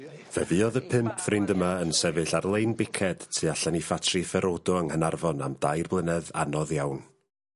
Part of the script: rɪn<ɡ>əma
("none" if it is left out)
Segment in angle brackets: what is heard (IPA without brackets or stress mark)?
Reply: d